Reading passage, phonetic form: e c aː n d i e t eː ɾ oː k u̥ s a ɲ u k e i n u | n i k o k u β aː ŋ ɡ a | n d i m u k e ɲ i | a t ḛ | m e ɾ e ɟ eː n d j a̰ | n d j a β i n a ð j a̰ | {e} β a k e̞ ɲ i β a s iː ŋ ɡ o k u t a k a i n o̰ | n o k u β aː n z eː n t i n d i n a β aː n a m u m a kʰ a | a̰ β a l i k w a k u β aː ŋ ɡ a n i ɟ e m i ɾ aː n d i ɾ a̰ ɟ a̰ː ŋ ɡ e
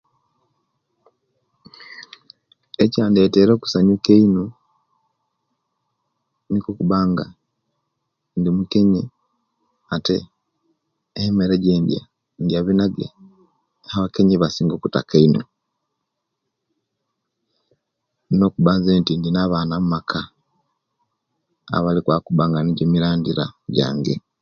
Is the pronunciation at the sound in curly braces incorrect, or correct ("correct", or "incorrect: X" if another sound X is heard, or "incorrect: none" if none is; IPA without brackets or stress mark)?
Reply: incorrect: a